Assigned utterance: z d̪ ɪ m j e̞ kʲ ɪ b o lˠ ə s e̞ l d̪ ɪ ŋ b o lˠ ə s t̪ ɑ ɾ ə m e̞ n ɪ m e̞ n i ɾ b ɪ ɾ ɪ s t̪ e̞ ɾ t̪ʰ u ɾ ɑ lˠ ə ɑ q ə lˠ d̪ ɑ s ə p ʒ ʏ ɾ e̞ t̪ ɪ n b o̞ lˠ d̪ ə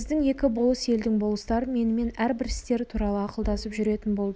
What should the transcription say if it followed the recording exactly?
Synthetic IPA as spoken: z d̪ ɪ ŋ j e̞ kʲ ɪ b o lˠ ə s e̞ l d̪ ɪ ŋ b o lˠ ə s t̪ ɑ ɾ ə m e̞ n ɪ m e̞ n æ ɾ b ɪ ɾ ɪ s t̪ e̞ ɾ t̪ʰ u ɾ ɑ lˠ ə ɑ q ə lˠ d̪ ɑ s ə p ʒ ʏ ɾ e̞ t̪ ɪ n b o̞ lˠ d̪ ə